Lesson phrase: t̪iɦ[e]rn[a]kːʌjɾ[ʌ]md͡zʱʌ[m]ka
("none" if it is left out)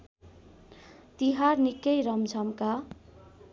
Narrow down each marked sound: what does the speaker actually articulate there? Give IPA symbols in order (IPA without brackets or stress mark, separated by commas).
a, i, ʌ, m